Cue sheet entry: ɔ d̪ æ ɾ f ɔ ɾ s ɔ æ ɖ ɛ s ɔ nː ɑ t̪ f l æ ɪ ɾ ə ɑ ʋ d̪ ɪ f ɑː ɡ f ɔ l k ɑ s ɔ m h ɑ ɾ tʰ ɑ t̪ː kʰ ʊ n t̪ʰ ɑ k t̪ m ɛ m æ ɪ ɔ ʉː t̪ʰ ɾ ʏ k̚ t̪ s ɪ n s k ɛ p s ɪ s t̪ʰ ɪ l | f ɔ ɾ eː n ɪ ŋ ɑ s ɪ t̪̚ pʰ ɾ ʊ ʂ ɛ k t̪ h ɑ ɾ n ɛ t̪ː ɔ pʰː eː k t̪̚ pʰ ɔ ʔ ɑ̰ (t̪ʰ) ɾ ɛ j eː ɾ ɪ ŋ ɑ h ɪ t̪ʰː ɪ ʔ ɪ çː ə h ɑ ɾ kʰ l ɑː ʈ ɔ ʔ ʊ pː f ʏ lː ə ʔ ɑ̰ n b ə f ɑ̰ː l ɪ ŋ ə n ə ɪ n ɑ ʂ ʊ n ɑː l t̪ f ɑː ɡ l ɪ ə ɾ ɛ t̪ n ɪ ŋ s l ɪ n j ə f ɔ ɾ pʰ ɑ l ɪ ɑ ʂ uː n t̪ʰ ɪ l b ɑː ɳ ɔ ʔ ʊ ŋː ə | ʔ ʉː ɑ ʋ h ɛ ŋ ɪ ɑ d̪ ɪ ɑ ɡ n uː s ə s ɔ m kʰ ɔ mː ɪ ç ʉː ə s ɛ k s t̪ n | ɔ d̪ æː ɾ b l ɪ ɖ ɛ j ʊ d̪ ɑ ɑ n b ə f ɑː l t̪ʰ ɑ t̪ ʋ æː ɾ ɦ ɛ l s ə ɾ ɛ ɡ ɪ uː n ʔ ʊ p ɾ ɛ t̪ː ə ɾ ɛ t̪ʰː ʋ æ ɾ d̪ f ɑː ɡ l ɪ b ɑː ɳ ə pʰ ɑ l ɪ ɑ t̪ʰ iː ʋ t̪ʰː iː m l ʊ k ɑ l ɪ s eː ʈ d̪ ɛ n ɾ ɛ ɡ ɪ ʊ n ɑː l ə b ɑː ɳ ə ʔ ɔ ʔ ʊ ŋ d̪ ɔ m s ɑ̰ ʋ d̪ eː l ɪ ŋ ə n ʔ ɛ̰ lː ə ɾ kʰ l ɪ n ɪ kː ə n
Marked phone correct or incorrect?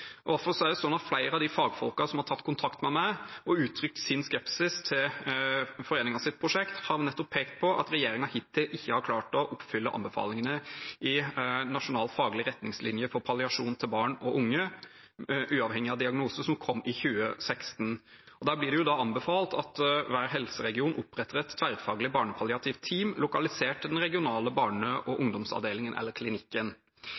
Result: incorrect